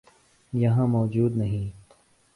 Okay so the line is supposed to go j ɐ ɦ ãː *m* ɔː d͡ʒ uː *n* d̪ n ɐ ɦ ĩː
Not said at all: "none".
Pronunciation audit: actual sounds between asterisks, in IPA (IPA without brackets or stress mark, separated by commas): m, none